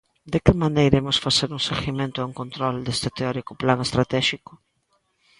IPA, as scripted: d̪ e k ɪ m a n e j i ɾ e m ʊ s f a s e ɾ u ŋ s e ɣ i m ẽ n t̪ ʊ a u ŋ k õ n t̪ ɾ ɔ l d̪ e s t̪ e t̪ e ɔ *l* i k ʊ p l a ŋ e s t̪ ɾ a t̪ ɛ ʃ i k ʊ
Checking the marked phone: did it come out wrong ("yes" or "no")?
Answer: yes